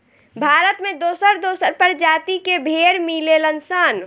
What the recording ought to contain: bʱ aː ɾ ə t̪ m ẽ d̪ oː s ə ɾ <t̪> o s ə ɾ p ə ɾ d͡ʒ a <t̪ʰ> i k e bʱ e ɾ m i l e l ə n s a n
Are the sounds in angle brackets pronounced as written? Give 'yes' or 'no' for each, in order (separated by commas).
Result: no, no